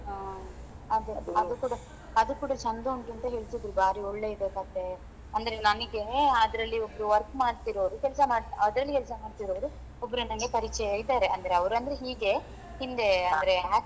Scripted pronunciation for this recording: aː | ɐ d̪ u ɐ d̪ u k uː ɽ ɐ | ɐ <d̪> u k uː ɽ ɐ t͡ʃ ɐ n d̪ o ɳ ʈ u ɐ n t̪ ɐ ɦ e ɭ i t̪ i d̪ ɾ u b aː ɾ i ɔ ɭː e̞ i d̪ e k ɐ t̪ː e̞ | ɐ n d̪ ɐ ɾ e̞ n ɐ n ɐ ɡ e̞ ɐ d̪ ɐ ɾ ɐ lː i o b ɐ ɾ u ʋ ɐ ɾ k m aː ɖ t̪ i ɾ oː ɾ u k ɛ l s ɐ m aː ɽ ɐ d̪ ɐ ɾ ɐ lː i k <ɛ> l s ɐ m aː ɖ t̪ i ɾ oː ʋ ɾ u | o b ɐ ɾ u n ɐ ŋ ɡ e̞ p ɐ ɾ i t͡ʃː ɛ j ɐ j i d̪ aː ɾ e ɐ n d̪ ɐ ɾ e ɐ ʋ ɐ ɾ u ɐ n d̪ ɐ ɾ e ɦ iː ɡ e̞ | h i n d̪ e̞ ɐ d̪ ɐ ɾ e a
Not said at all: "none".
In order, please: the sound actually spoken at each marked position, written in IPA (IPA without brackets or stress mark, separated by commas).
d̪, ɛ